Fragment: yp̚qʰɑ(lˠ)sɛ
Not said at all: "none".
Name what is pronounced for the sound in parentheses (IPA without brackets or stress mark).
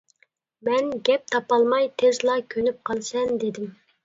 lˠ